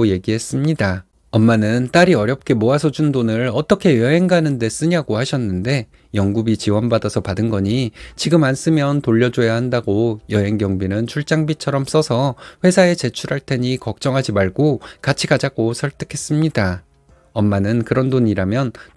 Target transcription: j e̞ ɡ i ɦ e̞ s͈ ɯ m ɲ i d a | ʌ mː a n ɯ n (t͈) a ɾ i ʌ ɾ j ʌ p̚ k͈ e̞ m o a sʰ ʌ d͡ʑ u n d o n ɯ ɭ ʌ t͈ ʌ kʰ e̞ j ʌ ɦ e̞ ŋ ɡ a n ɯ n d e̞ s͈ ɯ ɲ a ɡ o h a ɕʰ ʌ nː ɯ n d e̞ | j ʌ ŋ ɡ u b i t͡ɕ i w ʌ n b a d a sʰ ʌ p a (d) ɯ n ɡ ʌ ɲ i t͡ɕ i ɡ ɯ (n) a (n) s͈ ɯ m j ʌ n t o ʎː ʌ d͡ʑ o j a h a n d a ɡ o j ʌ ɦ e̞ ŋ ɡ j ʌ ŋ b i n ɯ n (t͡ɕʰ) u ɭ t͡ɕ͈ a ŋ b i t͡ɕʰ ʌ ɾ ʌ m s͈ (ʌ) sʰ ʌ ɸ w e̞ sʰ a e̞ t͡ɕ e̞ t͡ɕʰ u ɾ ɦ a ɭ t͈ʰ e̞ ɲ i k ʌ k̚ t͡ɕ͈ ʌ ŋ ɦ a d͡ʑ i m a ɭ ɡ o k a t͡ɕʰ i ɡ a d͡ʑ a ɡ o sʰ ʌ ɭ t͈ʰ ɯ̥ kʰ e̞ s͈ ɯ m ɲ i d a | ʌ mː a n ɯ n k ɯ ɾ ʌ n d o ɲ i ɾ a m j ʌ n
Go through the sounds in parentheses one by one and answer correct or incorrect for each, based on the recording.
correct, correct, incorrect, correct, correct, correct

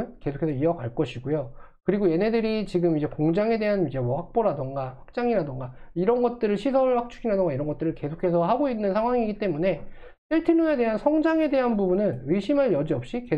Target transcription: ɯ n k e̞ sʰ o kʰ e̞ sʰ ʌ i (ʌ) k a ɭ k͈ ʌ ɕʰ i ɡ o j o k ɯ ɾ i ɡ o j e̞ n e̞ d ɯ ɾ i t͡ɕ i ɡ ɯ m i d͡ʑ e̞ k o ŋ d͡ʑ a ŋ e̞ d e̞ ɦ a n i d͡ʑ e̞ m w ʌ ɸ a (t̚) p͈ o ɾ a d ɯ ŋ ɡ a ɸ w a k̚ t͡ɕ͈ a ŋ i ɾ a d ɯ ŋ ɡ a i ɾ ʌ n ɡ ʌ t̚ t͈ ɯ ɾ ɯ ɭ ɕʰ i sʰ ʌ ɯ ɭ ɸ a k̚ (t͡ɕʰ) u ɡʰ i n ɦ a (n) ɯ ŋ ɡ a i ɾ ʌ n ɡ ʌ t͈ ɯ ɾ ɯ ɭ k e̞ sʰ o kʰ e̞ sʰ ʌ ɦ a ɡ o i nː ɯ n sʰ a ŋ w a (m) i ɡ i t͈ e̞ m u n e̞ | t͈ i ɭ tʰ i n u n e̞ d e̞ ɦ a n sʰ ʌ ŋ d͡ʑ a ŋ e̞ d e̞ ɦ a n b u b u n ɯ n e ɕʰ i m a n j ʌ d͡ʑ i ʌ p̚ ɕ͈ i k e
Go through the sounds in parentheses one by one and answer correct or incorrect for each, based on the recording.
correct, incorrect, correct, incorrect, incorrect

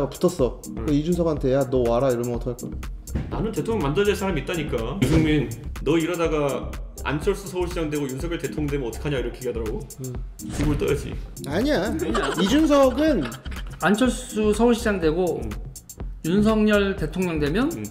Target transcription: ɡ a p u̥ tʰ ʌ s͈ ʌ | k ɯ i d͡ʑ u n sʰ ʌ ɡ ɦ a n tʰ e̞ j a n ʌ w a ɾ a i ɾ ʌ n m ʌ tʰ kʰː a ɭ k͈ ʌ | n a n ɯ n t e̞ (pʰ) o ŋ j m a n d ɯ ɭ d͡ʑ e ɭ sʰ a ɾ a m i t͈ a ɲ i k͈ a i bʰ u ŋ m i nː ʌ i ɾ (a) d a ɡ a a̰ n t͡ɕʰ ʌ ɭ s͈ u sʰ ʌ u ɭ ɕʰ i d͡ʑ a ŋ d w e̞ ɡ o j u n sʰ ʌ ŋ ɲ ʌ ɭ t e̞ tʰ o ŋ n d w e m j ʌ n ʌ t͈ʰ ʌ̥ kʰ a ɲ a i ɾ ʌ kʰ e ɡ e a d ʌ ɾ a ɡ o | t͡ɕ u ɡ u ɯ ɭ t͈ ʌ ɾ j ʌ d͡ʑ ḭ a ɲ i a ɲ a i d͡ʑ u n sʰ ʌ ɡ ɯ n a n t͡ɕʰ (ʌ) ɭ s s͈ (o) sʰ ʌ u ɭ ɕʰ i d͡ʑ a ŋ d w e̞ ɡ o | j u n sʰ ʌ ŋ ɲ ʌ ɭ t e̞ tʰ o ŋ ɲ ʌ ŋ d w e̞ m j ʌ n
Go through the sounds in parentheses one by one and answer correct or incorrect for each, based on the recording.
incorrect, incorrect, correct, incorrect

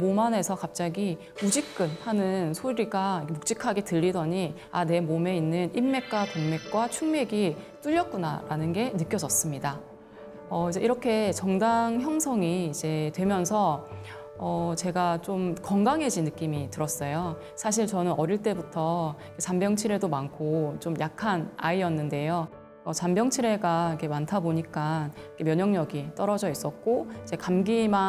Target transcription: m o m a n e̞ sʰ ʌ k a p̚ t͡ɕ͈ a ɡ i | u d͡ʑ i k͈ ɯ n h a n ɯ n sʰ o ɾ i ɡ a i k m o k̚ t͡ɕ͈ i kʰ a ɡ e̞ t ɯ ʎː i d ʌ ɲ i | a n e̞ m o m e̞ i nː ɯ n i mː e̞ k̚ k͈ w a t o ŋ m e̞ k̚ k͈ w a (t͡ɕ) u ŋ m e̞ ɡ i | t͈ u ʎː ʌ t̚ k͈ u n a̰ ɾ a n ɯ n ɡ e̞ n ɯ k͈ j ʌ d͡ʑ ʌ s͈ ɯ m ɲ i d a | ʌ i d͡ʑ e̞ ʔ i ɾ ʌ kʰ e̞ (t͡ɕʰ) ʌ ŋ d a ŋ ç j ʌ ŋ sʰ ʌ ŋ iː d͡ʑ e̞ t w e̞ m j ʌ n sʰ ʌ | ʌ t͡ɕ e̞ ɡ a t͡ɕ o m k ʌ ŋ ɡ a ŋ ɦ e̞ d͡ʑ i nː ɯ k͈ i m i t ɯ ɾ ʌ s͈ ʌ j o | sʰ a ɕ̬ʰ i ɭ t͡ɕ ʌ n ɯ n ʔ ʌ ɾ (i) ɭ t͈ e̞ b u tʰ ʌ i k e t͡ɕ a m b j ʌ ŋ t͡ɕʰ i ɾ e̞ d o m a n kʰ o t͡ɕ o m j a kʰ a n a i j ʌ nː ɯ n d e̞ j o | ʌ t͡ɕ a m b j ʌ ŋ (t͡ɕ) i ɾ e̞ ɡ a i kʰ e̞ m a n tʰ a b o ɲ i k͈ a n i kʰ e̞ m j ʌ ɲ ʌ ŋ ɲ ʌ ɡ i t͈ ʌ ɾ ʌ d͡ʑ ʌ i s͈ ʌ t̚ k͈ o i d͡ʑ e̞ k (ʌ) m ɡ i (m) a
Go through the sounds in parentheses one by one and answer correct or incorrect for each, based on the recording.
incorrect, incorrect, correct, incorrect, incorrect, correct

